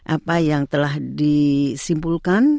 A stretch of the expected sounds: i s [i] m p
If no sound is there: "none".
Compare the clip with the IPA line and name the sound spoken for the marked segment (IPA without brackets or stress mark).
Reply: i